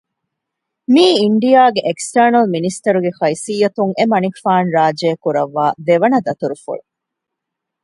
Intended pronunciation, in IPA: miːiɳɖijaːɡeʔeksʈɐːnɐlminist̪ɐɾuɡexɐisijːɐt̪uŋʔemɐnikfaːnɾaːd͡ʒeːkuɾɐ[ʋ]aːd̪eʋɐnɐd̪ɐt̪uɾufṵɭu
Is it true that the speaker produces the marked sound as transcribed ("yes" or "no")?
no